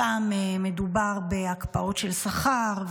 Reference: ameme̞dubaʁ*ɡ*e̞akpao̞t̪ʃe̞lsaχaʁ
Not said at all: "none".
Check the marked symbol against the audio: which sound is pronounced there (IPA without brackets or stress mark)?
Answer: b